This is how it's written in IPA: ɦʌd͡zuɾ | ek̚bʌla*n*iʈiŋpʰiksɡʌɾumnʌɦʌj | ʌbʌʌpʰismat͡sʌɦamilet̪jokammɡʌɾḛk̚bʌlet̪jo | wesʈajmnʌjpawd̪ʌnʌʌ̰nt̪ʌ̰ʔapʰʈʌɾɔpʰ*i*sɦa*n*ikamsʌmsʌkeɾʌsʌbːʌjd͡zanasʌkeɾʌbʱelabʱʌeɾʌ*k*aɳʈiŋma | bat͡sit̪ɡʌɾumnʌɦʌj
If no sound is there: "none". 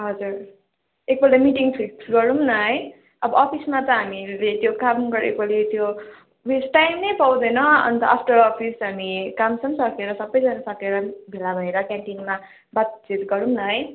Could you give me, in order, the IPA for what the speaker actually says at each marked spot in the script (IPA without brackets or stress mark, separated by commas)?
m, i, m, k